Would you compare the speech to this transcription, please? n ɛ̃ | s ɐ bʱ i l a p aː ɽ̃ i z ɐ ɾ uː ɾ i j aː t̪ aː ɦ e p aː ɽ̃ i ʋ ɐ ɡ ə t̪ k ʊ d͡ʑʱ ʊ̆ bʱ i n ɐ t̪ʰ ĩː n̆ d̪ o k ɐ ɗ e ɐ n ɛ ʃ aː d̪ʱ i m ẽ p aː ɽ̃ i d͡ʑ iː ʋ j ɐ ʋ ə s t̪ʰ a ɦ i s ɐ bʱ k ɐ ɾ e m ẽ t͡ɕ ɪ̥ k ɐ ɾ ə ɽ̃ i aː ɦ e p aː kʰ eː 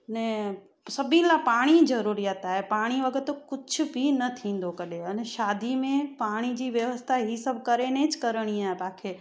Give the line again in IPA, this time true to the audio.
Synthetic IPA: n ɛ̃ | s ɐ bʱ i l a p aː ɽ̃ i z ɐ ɾ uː ɾ i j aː t̪ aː ɦ e p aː ɽ̃ i ʋ ɐ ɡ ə t̪ k ʊ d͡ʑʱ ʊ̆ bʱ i n ɐ t̪ʰ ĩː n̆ d̪ o k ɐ ɗ e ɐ n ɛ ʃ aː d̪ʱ i m ẽ p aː ɽ̃ i d͡ʑ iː ʋ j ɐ ʋ ə s t̪ʰ a ɦ i s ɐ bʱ k ɐ ɾ e n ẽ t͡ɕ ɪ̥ k ɐ ɾ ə ɽ̃ i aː ɦ e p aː kʰ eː